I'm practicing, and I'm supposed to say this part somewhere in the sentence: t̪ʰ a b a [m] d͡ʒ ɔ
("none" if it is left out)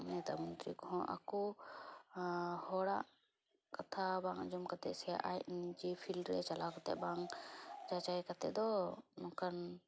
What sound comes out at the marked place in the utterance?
ŋ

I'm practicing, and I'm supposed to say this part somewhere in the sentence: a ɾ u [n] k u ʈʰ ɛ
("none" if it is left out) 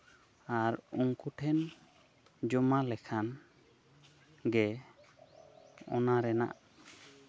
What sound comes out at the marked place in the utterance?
ŋ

